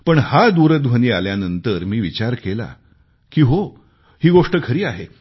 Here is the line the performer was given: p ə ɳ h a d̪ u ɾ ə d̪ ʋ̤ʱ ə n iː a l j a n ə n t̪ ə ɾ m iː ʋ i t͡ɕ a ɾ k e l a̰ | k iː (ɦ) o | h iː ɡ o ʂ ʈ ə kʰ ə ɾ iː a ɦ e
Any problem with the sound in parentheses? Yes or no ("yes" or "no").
no